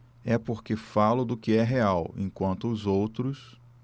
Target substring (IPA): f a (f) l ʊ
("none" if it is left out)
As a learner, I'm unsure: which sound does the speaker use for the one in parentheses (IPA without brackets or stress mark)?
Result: none